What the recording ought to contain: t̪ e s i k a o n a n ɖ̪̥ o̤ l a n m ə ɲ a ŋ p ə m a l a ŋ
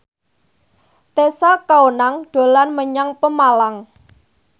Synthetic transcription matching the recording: t̪ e s a k a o n a ŋ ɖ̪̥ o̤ l a n m ə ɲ a ŋ p ə m a l a ŋ